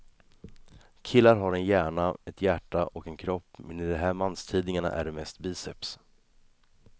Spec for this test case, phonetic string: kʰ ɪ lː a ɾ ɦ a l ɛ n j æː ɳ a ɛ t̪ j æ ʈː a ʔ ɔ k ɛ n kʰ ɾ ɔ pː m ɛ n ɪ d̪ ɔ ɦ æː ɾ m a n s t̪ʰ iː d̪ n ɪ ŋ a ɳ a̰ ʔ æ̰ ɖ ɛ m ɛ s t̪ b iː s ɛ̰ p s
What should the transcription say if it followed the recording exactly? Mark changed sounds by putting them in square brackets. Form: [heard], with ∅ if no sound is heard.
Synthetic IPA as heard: kʰ ɪ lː a ɾ ɦ a [ɾ] ɛ n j æː ɳ a ɛ t̪ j æ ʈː a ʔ ɔ k ɛ n kʰ ɾ ɔ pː m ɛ n ɪ d̪ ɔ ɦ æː ɾ m a n s t̪ʰ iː d̪ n ɪ ŋ a ɳ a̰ ʔ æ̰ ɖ ɛ m ɛ s t̪ b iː s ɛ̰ p s